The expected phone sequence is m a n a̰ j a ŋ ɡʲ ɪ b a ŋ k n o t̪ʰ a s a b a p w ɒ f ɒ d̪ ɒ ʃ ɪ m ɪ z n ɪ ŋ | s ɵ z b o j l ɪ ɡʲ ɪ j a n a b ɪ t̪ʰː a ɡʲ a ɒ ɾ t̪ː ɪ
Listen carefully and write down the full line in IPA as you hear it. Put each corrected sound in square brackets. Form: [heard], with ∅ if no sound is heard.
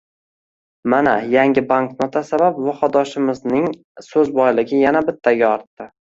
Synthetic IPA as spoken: m a n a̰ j a ŋ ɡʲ ɪ b a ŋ k n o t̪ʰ a s a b a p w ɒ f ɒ d̪ ɒ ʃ ɪ m ɪ z n ɪ ŋ | s ɵ z b [ɒ] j l ɪ ɡʲ ɪ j a n a b ɪ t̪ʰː a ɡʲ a ɒ ɾ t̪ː ɪ

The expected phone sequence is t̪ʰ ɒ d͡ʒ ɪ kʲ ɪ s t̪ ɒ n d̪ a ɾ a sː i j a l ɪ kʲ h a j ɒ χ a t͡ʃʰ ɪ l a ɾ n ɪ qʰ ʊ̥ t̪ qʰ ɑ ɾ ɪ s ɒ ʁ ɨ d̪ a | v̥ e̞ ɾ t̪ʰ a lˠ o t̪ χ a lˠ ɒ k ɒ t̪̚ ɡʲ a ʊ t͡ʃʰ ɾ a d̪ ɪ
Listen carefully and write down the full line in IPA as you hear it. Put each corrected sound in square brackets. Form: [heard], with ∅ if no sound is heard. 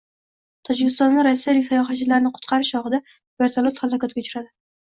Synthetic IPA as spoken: t̪ʰ ɒ d͡ʒ ɪ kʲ ɪ s t̪ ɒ n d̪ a ɾ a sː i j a l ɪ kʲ [s] a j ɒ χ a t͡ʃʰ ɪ l a ɾ n ɪ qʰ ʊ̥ t̪ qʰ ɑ ɾ ɪ [ʃ] ɒ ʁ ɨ d̪ a | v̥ e̞ ɾ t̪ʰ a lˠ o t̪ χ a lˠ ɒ k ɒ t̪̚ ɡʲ a ʊ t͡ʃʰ ɾ a d̪ ɪ

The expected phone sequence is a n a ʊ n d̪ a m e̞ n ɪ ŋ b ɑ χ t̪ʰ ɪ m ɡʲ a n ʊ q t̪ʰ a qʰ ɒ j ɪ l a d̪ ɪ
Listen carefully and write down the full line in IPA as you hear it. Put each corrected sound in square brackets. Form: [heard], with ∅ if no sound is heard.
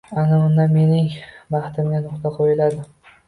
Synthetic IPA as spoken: a n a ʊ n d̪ a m e̞ n ɪ ŋ b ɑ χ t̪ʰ ɪ m ɡʲ a n ʊ q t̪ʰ a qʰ [o] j ɪ l a d̪ ɪ

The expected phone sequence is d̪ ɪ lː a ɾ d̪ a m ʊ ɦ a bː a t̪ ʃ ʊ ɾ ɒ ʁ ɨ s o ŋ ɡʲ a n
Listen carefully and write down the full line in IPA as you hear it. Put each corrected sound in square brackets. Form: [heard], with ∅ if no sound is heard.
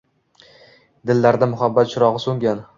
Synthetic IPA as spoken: d̪ ɪ lː a ɾ d̪ a m ʊ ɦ a bː a t̪ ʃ ʊ ɾ ɒ ʁ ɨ s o ŋ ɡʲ a n

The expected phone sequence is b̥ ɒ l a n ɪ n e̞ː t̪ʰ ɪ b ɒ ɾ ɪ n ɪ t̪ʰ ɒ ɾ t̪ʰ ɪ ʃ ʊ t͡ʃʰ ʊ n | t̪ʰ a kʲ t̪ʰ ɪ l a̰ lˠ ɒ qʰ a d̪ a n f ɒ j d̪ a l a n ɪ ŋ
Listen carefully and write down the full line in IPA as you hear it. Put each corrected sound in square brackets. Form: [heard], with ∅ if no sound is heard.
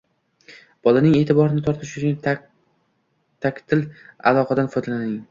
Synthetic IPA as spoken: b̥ ɒ l a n ɪ [ŋ] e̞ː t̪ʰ ɪ b ɒ ɾ ɪ n ɪ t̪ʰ ɒ ɾ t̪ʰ ɪ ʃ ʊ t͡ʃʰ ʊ n | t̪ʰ a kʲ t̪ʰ ɪ l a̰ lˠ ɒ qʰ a d̪ a n f ɒ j d̪ a l a n ɪ ŋ

